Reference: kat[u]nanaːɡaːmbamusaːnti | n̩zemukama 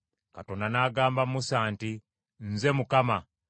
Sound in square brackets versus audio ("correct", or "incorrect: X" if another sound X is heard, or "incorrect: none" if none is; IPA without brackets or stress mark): incorrect: o